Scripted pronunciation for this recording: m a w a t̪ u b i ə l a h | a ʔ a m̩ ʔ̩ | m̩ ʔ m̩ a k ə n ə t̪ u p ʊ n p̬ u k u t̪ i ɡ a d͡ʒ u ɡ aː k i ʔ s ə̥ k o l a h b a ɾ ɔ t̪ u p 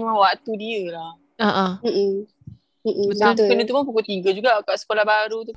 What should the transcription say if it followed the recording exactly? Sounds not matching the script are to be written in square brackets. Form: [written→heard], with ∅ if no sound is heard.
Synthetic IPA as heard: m a w a t̪ u [b→d] i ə l a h | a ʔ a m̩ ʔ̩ | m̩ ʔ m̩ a k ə n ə t̪ u p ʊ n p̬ u k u t̪ i ɡ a d͡ʒ u ɡ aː k [i→a] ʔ s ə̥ k o l a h b a ɾ [ɔ→u] t̪ u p